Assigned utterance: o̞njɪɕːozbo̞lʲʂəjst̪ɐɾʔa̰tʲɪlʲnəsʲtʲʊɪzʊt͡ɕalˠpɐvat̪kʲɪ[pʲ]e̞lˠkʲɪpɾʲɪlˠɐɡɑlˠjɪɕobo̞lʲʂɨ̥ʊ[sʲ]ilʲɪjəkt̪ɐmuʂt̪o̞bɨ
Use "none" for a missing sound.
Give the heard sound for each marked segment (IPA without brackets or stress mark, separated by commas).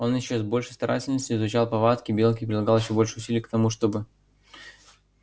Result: bʲ, sʲ